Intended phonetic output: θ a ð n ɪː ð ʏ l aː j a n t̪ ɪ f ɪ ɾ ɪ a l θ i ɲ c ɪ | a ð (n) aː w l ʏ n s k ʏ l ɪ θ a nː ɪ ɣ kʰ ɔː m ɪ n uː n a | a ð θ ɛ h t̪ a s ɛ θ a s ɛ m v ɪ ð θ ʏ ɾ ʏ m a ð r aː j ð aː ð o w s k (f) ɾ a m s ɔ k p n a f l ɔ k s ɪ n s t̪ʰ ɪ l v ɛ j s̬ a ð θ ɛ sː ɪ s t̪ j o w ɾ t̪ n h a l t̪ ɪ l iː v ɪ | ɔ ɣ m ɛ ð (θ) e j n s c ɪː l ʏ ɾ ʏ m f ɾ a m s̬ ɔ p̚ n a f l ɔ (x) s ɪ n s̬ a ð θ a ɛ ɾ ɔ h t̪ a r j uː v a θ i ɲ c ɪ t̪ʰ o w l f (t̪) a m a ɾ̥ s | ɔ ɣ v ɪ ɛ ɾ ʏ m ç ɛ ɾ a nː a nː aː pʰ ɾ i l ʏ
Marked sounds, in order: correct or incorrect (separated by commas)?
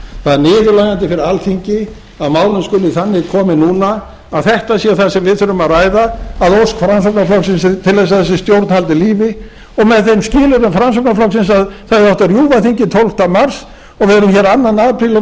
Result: incorrect, correct, correct, incorrect, correct